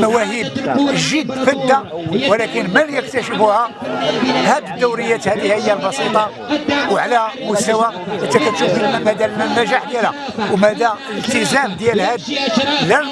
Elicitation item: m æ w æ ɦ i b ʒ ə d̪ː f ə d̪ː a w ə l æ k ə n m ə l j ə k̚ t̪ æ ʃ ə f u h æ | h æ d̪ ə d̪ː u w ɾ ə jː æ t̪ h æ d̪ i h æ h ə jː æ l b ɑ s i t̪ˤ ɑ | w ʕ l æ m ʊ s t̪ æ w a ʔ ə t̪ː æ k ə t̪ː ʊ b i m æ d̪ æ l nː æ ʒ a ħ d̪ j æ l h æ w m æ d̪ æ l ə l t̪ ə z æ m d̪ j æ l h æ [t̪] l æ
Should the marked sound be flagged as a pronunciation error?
yes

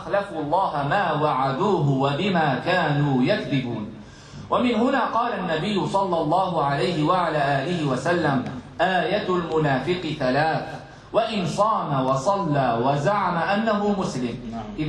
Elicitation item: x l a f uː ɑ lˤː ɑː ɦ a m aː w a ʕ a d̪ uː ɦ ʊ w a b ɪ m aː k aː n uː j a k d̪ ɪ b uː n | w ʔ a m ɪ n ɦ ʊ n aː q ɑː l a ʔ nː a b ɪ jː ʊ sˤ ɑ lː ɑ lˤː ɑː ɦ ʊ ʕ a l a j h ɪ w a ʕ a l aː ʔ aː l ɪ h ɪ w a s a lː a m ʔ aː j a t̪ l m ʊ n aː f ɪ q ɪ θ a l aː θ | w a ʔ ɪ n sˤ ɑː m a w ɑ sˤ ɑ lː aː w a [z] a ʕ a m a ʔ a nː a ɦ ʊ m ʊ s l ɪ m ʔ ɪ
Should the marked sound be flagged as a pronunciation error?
no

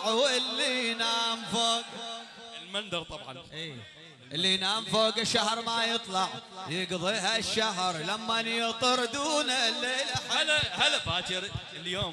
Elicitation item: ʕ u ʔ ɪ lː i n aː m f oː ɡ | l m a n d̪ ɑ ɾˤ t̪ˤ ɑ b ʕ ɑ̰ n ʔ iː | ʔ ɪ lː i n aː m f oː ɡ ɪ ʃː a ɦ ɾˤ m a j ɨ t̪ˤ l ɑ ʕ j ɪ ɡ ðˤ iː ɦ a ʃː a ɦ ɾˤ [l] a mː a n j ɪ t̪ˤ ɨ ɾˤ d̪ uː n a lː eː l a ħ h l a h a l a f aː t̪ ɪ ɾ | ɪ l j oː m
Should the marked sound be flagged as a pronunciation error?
no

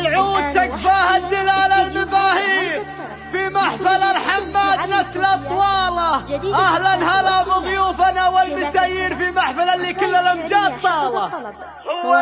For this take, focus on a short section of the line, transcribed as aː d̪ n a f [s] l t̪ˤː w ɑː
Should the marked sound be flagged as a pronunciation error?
no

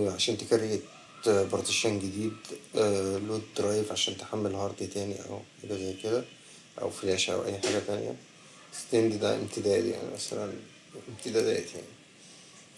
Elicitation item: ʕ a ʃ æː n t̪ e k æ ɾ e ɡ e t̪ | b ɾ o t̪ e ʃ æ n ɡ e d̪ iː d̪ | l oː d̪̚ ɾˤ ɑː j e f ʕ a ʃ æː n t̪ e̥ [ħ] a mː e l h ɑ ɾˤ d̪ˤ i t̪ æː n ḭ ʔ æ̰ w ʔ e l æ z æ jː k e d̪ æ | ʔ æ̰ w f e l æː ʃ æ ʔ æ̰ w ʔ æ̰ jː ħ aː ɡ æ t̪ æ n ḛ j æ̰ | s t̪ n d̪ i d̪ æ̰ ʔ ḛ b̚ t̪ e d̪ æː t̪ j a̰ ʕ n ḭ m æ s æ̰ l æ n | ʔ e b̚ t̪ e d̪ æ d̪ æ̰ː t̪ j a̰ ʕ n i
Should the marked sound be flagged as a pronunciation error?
no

